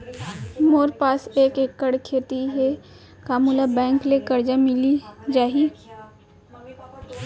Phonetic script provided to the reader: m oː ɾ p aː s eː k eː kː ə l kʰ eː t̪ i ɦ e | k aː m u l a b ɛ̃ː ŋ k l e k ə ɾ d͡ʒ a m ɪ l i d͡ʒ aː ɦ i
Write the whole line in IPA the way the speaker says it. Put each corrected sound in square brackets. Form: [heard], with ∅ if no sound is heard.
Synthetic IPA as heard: m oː ɾ p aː s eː k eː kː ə [ɽ] kʰ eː t̪ i ɦ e | k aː m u l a b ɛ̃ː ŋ k l e k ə ɾ d͡ʒ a m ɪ l i d͡ʒ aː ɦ i